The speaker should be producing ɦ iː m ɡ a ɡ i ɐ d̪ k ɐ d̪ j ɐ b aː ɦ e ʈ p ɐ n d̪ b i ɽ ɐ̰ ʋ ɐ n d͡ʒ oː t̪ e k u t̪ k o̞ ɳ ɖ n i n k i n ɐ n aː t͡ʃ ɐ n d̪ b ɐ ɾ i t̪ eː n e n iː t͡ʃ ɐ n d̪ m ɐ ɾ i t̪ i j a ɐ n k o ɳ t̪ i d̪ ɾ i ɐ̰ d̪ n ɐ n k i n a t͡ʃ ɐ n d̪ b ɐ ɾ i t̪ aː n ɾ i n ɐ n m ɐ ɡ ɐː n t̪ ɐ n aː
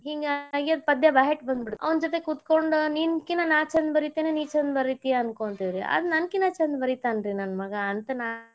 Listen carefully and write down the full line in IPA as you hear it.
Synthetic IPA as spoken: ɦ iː ŋ ɡ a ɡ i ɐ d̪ p ɐ d̪ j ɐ b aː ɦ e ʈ b ɐ n d̪ b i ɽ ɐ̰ ʋ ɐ n d͡ʒ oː t̪ e k u t̪ k o̞ ɳ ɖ n i n k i n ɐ n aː t͡ʃ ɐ n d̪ b ɐ ɾ i t̪ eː n e n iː t͡ʃ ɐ n d̪ b ɐ ɾ i t̪ i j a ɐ n k o ɳ t̪ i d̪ ɾ i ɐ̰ d̪ n ɐ n k i n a t͡ʃ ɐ n d̪ b ɐ ɾ i t̪ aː n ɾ i n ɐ n m ɐ ɡ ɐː n t̪ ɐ n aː